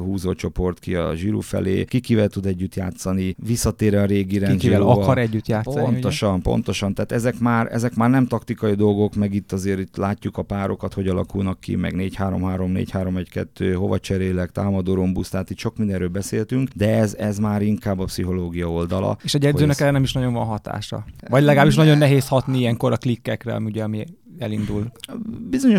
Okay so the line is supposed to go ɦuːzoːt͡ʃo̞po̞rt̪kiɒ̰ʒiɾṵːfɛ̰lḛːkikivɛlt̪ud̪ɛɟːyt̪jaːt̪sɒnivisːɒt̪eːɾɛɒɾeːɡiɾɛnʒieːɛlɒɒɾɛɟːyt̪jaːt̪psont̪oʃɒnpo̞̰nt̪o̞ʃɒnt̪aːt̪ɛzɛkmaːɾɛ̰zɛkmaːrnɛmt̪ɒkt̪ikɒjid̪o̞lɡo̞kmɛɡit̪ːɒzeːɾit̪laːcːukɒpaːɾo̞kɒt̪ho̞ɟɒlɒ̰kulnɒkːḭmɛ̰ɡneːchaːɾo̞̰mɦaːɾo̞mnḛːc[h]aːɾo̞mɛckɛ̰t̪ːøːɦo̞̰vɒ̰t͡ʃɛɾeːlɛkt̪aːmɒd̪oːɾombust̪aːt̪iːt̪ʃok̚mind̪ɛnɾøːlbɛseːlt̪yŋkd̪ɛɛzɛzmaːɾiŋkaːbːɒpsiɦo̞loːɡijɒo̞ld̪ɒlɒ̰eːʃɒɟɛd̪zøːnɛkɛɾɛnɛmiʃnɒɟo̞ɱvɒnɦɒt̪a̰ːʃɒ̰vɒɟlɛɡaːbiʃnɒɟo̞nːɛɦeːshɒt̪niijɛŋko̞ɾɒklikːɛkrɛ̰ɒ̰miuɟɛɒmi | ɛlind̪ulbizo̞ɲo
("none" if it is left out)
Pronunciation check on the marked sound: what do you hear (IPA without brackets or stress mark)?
h